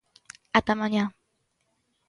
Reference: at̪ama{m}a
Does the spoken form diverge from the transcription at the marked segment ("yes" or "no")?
yes